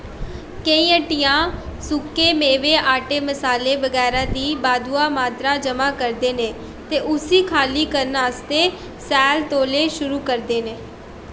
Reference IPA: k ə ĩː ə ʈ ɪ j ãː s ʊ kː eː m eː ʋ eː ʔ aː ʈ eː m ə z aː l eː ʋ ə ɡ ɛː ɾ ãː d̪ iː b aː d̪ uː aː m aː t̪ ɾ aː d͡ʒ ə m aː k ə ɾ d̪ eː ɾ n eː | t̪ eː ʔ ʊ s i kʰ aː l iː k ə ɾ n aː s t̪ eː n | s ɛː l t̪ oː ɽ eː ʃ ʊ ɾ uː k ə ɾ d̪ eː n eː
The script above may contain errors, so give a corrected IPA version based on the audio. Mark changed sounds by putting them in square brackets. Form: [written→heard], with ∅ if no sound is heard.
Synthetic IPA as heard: k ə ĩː ə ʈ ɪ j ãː s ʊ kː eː m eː ʋ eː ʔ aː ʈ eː m ə [z→s] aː l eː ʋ ə ɡ ɛː ɾ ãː d̪ iː b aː d̪ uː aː m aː t̪ ɾ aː d͡ʒ ə m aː k ə ɾ d̪ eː [ɾ→∅] n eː | t̪ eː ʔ ʊ s [i→iː] kʰ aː l iː k ə ɾ n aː s t̪ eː [n→∅] | s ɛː l t̪ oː [ɽ→l] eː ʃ ʊ ɾ uː k ə ɾ d̪ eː n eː